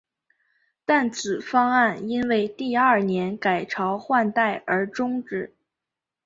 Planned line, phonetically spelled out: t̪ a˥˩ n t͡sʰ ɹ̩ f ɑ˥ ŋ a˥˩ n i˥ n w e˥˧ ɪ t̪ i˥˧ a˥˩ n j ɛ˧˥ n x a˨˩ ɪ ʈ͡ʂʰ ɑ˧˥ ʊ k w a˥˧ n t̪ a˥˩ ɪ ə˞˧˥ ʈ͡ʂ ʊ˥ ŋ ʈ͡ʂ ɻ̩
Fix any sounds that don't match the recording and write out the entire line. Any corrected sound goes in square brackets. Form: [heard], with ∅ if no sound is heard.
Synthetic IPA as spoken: t̪ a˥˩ n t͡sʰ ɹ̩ f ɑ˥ ŋ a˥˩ n i˥ n w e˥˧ ɪ t̪ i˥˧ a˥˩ n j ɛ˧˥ n [k] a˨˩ ɪ ʈ͡ʂʰ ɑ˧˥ ʊ [x] w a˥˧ n t̪ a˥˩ ɪ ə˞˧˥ ʈ͡ʂ ʊ˥ ŋ ʈ͡ʂ ɻ̩